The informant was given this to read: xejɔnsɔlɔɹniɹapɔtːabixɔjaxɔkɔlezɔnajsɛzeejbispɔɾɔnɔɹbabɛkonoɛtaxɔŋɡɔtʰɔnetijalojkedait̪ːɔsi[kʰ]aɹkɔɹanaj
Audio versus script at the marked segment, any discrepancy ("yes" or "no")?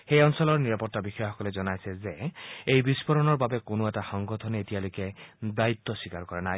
yes